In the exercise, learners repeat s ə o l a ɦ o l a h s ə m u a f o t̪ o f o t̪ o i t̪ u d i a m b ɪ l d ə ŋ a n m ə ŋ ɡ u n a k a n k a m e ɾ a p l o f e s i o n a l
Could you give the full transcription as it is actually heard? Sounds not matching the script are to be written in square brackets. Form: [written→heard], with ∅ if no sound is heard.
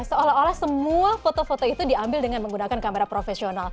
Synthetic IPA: s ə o l a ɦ o l a h s ə m u a f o t̪ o f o t̪ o i t̪ u d i a m b ɪ l d ə ŋ a n m ə ŋ ɡ u n a k a n k a m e ɾ a p [l→ɾ] o f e s i o n a l